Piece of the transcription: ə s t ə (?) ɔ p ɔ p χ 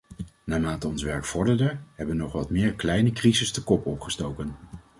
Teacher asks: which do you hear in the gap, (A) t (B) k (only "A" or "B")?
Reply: B